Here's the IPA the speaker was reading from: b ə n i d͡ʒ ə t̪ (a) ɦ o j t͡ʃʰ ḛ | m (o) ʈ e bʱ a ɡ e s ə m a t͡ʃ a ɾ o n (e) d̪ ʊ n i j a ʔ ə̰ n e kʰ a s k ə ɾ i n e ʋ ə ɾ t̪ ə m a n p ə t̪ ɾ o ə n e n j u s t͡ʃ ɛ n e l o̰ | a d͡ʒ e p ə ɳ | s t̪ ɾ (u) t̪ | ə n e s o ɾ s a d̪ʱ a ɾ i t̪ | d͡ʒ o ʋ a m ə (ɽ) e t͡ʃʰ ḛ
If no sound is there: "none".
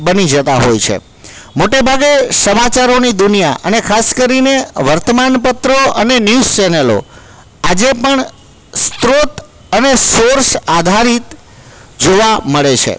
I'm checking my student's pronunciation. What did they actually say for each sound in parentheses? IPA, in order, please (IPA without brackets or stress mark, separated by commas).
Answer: a, o, i, o, ɭ